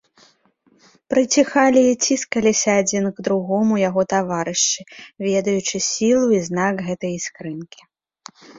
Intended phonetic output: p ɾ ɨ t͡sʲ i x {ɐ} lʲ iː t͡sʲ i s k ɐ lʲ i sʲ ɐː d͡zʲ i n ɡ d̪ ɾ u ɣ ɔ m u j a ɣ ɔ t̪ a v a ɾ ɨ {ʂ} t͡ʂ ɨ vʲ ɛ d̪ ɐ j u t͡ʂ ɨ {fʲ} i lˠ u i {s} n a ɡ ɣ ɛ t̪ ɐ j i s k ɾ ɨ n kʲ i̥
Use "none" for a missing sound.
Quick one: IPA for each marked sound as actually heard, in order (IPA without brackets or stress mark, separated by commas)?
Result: a, ʂ, sʲ, z